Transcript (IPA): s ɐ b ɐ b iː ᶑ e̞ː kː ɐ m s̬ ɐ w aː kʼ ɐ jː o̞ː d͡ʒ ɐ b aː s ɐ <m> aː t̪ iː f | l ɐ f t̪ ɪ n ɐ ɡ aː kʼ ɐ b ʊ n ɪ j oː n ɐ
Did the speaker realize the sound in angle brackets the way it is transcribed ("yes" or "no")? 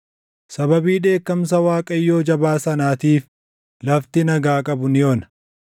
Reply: no